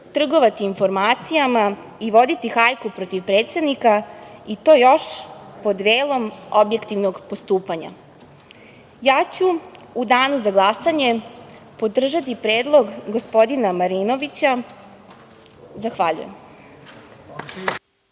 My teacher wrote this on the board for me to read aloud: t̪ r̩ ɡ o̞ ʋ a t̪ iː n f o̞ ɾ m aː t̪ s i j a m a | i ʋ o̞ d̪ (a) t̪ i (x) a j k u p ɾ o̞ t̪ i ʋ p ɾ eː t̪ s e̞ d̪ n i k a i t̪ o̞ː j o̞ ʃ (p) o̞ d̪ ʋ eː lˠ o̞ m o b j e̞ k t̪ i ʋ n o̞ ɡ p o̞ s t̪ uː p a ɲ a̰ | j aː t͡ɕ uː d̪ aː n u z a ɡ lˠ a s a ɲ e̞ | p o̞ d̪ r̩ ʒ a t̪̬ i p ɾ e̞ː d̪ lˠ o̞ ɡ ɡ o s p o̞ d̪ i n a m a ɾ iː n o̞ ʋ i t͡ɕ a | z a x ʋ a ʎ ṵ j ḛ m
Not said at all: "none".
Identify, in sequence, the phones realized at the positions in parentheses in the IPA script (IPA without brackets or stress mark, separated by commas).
i, x, p